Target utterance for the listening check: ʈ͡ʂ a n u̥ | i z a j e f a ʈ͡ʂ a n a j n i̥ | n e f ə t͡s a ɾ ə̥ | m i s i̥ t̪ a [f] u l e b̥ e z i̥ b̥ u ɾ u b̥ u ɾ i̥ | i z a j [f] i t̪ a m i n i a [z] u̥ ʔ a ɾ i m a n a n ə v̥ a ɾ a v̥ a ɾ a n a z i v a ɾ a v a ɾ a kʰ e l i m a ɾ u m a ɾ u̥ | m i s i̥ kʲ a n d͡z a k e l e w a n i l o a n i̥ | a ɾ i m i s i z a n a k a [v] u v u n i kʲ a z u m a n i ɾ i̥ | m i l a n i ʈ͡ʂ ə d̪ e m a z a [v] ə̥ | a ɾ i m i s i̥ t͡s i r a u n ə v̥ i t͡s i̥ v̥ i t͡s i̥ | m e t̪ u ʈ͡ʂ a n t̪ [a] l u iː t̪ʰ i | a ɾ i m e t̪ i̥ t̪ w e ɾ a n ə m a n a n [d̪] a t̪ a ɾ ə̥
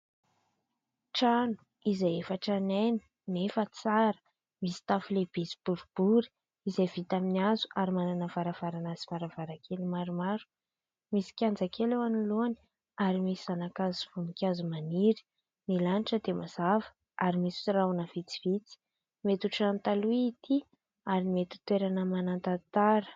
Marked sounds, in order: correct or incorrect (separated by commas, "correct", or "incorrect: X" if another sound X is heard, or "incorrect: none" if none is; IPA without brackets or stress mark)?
correct, incorrect: v, correct, incorrect: z, correct, correct, incorrect: t̪